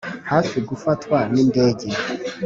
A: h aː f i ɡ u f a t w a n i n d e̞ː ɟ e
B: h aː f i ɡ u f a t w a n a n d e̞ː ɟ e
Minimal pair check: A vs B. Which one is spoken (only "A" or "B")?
A